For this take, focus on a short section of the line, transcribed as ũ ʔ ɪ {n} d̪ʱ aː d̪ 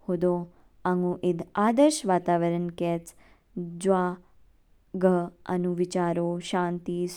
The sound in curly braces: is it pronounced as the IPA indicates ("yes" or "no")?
no